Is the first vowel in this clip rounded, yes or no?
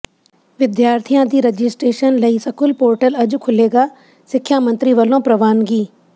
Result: no